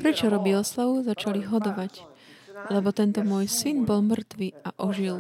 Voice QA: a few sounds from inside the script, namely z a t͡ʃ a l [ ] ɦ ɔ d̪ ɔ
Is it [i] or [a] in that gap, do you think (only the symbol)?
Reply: i